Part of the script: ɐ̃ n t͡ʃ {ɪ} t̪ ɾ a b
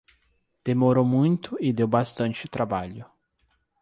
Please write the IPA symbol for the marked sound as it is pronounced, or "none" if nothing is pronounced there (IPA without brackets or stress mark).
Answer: ɪ